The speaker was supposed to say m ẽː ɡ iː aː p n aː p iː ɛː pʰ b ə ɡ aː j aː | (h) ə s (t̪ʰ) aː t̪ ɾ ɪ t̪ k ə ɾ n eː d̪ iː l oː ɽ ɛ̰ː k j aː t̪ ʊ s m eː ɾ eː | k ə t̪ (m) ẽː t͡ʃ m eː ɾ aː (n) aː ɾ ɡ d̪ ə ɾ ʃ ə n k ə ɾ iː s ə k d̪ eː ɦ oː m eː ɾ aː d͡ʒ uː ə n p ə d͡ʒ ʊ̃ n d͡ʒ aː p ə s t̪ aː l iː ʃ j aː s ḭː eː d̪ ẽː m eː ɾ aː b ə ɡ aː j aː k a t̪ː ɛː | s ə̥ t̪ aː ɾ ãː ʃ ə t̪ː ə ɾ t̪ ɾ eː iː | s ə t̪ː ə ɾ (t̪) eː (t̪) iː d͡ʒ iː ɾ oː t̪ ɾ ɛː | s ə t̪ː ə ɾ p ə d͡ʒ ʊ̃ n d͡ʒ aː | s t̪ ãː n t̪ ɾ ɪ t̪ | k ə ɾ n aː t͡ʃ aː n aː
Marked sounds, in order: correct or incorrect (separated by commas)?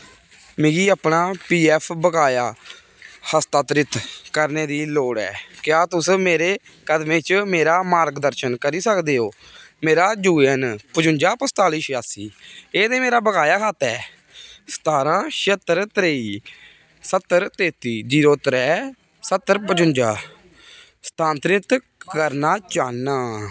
correct, incorrect, correct, incorrect, correct, correct